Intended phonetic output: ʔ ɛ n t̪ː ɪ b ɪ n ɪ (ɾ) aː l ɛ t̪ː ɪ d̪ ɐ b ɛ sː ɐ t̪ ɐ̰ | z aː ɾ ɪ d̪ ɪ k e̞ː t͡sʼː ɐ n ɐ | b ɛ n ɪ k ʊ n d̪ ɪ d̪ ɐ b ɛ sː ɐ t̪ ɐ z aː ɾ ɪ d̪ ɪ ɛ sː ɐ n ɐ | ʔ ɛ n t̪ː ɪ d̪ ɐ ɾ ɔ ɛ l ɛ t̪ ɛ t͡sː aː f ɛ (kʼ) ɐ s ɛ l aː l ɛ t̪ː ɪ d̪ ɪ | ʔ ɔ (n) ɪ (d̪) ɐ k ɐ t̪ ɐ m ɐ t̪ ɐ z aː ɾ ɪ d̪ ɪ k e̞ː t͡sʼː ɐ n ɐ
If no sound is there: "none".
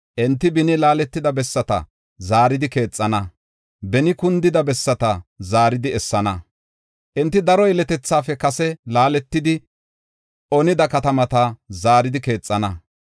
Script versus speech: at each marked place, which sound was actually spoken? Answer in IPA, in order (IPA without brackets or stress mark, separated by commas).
l, k, n, d̪